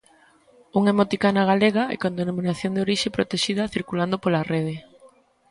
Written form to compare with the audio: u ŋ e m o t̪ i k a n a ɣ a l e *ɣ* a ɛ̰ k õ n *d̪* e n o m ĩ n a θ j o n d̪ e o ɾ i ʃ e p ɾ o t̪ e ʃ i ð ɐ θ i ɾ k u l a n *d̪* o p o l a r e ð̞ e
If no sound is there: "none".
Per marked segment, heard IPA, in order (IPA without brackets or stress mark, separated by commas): ɣ, d̪, d̪